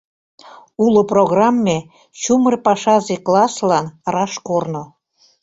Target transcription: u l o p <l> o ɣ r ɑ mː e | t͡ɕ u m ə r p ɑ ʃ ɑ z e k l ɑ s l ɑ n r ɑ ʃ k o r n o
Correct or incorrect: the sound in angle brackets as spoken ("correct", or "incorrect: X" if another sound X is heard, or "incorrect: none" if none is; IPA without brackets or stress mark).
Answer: incorrect: r